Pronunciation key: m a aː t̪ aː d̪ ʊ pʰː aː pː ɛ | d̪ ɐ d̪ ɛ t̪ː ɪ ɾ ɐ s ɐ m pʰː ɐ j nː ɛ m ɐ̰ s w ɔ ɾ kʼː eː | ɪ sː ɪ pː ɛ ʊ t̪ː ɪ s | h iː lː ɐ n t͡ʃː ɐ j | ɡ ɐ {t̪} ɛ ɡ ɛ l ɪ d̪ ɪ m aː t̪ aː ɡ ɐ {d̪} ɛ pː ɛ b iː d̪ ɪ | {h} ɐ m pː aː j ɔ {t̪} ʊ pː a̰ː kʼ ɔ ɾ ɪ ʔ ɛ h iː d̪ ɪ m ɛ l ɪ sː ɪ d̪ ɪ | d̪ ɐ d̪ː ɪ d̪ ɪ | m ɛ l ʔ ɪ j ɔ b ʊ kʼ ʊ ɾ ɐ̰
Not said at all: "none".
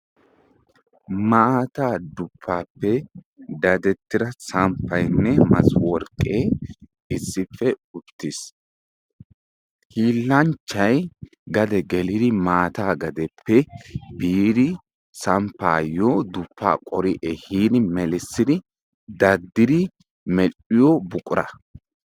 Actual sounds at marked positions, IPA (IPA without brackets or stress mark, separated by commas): d̪, d̪, s, d̪